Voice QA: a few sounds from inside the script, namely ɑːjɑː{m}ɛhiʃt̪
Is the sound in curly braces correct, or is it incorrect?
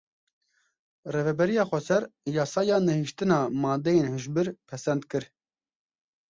incorrect